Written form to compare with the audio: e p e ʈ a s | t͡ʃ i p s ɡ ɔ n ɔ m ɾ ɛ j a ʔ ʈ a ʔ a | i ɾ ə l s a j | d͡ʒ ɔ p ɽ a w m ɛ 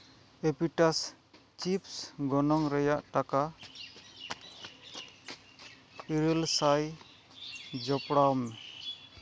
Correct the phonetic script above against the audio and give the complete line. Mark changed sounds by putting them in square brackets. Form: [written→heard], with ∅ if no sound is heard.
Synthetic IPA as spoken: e p [e→i] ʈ a s | t͡ʃ i p s ɡ ɔ n ɔ [m→ŋ] ɾ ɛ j a ʔ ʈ a [ʔ→k] a | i ɾ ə l s a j | d͡ʒ ɔ p ɽ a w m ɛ